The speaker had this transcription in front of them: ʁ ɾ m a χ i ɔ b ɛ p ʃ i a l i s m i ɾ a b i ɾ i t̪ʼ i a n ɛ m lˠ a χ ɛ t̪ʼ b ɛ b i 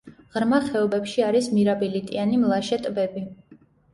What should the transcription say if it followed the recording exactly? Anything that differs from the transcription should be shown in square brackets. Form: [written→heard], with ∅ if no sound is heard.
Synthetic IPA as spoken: ʁ ɾ m a χ [i→ɛ] ɔ b ɛ p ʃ i a [l→ɾ] i s m i ɾ a b i [ɾ→l] i t̪ʼ i a n [ɛ→i] m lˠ a [χ→ʃ] ɛ t̪ʼ b ɛ b i